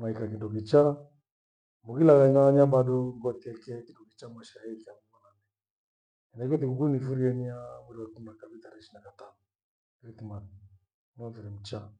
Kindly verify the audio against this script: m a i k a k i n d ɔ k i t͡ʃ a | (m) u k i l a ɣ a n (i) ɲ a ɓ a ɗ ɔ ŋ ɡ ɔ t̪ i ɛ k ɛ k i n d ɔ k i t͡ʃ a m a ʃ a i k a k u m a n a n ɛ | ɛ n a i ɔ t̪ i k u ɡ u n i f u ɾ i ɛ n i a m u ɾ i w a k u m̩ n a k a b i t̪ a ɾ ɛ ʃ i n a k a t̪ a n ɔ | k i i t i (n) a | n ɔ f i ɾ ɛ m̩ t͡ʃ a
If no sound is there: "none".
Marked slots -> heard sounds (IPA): m, a, m

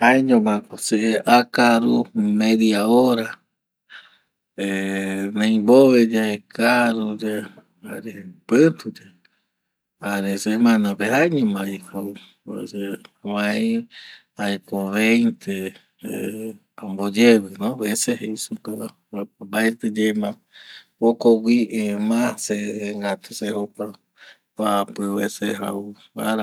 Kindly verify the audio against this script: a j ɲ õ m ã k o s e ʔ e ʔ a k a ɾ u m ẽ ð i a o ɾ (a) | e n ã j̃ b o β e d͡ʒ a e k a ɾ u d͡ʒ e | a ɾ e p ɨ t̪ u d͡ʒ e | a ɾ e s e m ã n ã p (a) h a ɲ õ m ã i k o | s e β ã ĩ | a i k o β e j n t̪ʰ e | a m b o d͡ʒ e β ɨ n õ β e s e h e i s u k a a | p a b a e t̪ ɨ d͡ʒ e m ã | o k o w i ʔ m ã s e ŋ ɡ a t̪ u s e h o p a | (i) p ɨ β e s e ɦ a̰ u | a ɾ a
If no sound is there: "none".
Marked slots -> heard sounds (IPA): a, e, a

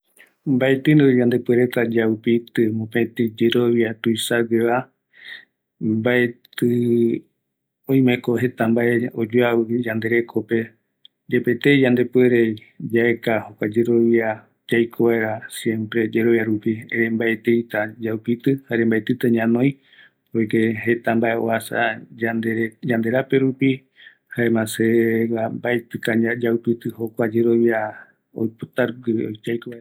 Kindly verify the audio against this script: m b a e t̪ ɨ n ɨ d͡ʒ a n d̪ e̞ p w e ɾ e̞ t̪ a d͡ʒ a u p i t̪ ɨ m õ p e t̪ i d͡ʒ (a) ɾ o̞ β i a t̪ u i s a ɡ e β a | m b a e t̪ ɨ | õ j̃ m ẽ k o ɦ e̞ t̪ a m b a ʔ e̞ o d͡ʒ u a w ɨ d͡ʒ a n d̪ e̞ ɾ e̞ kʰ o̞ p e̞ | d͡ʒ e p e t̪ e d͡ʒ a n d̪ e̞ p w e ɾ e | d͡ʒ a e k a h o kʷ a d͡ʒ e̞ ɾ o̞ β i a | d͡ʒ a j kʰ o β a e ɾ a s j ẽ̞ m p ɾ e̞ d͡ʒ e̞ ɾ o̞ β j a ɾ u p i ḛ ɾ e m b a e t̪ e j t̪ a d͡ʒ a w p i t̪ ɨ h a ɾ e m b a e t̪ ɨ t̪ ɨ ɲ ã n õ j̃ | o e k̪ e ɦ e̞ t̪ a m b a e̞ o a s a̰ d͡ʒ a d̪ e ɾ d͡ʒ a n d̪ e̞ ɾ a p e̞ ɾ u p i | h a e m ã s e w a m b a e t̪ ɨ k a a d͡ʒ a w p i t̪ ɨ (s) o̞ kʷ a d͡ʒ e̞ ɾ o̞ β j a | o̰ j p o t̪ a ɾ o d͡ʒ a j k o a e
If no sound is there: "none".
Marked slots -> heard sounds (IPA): e, h

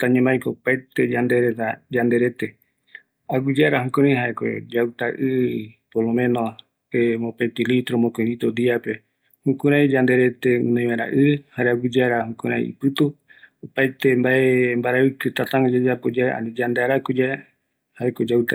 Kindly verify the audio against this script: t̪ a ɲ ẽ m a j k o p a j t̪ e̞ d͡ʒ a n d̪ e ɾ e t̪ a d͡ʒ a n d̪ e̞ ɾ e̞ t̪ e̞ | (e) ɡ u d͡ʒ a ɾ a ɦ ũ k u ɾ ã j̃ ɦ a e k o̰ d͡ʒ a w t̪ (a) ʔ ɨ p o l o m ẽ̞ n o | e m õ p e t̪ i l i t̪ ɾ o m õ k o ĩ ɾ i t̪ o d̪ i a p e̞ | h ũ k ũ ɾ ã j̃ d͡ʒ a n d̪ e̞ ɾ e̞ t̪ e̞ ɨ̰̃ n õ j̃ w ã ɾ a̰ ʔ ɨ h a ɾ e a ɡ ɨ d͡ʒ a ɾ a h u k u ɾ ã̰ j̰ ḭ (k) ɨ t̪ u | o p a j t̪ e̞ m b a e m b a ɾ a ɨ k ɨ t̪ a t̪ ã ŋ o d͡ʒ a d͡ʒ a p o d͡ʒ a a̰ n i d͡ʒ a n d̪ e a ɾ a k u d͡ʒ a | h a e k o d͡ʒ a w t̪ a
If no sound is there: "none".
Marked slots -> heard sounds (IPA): a, a, p

